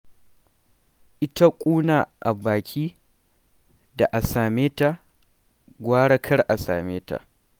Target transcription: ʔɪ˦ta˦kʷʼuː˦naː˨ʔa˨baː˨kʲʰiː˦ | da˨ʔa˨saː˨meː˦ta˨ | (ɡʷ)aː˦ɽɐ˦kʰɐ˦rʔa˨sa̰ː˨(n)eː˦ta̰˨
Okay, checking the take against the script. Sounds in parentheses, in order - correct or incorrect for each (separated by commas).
correct, incorrect